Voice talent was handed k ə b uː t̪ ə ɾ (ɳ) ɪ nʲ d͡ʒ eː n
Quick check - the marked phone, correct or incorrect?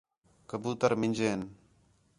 incorrect